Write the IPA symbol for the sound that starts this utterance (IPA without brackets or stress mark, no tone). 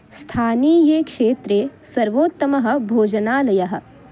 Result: s